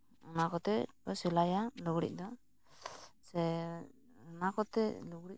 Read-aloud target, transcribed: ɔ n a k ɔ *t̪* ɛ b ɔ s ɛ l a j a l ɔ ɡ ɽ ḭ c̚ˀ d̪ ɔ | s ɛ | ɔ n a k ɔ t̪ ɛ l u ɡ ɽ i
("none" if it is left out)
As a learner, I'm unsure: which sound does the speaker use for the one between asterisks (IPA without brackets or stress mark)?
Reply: t̪